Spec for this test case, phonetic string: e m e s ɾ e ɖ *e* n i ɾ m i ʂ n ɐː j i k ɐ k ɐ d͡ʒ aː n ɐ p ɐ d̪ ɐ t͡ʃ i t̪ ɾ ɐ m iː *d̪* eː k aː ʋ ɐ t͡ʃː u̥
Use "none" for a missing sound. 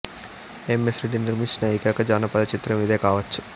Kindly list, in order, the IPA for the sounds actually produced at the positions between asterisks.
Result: i, d̪

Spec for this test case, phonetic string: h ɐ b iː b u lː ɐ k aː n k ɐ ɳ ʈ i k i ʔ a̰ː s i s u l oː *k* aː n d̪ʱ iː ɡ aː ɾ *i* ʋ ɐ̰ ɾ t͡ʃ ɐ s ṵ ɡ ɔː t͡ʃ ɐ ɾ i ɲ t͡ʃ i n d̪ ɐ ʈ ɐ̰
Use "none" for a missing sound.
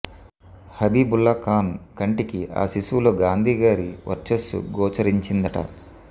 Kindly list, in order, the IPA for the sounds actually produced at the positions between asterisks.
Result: ɡ, i

